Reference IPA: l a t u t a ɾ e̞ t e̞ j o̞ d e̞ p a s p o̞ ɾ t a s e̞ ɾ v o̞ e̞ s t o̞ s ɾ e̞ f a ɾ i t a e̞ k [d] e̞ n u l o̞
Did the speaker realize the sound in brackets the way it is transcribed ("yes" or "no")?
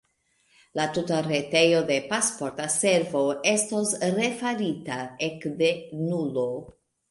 yes